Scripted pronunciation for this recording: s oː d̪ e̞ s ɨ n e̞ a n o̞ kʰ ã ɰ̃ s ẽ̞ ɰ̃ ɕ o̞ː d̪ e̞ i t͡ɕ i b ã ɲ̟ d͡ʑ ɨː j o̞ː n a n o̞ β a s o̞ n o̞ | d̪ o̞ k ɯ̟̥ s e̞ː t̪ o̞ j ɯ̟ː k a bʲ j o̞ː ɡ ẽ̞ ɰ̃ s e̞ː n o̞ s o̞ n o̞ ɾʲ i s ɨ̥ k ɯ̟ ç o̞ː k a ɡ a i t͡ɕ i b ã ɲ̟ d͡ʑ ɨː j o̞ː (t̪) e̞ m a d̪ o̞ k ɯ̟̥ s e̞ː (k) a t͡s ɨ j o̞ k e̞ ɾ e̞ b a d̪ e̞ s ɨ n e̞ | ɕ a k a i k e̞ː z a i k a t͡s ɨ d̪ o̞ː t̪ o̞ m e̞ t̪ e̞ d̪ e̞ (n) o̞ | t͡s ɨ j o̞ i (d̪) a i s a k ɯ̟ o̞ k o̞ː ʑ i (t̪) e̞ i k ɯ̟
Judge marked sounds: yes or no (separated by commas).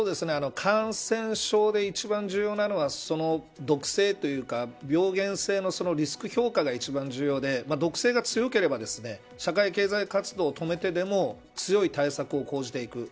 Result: no, no, no, no, yes